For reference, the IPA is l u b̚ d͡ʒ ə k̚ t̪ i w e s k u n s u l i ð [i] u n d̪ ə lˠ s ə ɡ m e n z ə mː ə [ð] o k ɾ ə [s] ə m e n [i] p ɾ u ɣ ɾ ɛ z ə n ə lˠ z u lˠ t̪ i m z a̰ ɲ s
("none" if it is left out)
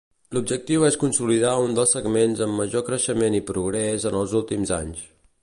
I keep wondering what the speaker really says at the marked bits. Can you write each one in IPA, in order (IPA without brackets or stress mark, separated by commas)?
a, ʒ, ʃ, i